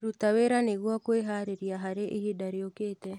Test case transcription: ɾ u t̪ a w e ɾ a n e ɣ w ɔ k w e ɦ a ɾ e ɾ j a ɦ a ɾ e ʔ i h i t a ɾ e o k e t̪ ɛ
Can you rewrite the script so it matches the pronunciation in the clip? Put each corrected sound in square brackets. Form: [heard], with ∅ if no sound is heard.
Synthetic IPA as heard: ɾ u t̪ a w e ɾ a n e ɣ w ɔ k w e ɦ a ɾ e ɾ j a ɦ a ɾ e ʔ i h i [d] a ɾ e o k e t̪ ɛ